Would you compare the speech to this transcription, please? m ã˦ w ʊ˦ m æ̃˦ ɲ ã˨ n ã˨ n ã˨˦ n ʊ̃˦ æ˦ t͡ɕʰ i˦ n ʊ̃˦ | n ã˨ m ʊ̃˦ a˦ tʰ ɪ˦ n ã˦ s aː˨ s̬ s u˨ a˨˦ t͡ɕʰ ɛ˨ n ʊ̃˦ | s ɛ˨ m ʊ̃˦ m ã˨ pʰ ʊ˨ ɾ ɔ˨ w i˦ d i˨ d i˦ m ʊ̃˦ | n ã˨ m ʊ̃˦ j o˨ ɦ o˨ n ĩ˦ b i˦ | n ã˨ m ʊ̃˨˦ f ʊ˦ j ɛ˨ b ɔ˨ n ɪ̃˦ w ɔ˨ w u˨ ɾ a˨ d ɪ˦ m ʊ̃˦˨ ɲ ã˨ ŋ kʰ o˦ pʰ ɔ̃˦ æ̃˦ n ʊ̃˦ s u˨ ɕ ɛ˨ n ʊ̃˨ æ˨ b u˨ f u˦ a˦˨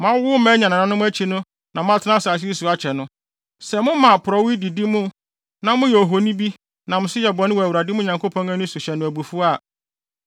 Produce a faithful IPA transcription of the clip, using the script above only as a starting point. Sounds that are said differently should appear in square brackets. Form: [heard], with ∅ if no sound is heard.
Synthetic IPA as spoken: m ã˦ w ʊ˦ m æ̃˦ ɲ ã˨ n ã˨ n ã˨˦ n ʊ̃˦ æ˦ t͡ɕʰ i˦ n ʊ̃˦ | n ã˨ m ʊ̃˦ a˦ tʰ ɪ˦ n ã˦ s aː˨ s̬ s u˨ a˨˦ t͡ɕʰ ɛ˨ n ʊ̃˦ | s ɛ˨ m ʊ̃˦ m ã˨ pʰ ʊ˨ ɾ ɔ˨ w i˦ d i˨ d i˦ m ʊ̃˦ | n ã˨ m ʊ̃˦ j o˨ ɦ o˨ n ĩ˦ b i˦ | n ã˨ m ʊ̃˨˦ [s] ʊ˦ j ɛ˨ b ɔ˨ n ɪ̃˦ w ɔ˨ w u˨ ɾ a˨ d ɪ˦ m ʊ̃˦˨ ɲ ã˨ ŋ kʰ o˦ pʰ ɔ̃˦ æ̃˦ n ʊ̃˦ s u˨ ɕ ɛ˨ n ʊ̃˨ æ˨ b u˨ f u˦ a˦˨